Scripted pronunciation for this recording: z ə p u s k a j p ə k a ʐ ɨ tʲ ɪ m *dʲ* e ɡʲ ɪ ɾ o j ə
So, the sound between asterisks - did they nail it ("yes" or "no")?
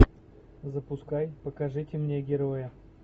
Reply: no